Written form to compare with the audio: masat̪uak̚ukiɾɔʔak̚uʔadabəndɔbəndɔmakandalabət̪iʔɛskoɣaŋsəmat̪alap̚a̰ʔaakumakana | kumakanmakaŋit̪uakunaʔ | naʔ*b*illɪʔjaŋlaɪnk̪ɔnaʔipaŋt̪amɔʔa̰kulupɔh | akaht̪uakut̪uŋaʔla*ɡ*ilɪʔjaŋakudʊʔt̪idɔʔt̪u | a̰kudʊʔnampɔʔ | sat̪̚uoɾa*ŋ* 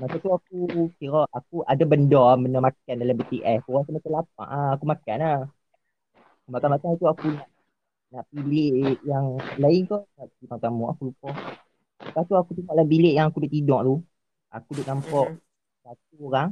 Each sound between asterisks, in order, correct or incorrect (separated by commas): incorrect, incorrect, correct